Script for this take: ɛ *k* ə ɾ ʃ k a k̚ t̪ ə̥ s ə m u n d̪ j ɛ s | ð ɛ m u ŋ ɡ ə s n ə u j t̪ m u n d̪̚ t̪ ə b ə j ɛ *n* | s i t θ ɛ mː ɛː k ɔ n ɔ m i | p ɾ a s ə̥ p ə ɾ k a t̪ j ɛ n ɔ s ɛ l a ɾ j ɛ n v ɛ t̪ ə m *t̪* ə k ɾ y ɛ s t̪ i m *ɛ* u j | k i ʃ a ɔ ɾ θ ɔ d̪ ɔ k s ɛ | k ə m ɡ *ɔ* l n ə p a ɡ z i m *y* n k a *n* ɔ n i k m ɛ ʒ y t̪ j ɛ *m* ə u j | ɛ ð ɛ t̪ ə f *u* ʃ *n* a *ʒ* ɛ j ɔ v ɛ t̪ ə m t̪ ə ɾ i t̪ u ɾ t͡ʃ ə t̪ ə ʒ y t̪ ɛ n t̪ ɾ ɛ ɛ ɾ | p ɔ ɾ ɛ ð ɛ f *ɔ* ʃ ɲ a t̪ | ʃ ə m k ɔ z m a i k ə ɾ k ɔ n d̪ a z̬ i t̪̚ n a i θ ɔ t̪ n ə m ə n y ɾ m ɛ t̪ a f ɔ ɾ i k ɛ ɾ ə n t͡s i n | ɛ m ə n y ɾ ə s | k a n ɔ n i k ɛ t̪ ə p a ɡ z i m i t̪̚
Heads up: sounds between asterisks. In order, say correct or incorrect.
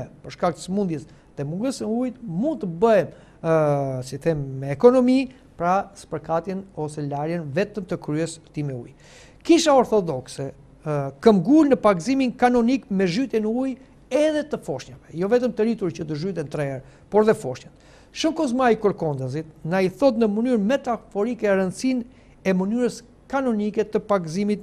incorrect: p, incorrect: m, correct, correct, incorrect: u, incorrect: i, correct, incorrect: n, incorrect: ɔ, incorrect: ɲ, incorrect: v, correct

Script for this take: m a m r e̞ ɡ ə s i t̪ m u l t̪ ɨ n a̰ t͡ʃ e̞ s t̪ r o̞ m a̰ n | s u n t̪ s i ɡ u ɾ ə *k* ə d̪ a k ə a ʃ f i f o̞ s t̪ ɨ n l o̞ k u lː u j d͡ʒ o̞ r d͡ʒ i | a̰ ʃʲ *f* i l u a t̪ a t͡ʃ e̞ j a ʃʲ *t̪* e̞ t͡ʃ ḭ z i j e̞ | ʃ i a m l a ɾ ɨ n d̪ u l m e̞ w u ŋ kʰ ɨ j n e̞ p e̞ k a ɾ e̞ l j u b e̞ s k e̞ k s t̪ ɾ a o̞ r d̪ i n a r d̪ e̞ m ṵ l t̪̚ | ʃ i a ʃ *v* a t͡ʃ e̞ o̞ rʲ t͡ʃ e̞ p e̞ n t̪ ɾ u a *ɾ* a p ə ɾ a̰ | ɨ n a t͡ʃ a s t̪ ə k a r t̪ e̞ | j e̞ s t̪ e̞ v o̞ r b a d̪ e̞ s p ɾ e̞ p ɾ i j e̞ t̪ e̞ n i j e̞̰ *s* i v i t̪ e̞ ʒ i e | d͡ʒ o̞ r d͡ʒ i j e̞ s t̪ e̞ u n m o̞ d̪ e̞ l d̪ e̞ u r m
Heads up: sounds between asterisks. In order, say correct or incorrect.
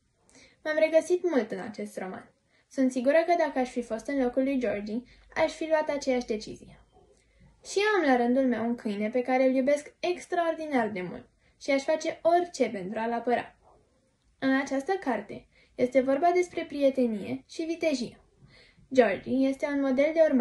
correct, correct, incorrect: d̪, incorrect: f, incorrect: l, incorrect: ʃ

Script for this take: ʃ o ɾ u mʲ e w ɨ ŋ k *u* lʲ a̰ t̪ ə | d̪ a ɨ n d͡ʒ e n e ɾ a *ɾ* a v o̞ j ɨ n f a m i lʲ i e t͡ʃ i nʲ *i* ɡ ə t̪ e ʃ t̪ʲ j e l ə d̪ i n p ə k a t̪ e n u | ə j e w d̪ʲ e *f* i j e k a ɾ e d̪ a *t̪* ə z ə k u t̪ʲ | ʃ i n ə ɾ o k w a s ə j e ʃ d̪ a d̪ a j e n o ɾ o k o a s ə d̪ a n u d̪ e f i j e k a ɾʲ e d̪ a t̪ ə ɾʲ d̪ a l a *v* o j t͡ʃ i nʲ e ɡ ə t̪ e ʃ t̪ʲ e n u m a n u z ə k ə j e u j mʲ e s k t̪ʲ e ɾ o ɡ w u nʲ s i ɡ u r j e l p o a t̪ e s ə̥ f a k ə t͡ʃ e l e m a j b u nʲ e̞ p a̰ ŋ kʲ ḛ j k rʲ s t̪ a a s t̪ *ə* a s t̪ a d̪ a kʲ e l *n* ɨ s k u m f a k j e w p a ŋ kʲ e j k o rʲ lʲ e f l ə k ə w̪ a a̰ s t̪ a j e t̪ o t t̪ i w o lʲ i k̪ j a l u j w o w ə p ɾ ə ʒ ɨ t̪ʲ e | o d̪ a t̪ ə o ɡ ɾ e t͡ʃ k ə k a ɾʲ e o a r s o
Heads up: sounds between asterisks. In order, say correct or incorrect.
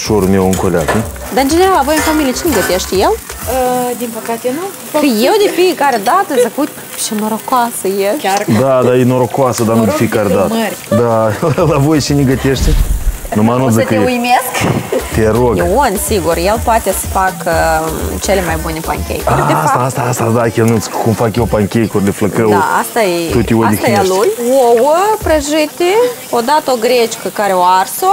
incorrect: o, incorrect: l, incorrect: e, correct, correct, correct, incorrect: a, correct

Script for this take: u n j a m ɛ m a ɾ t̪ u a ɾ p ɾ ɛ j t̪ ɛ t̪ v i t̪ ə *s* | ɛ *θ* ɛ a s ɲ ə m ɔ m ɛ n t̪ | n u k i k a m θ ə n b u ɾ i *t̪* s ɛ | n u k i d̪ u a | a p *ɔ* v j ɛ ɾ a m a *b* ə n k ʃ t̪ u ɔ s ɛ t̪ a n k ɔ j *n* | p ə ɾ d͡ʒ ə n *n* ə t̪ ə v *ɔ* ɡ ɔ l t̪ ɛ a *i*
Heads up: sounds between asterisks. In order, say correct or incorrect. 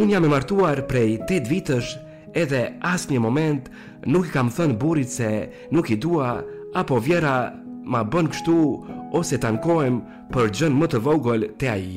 incorrect: ʃ, incorrect: ð, correct, correct, correct, incorrect: m, incorrect: m, correct, correct

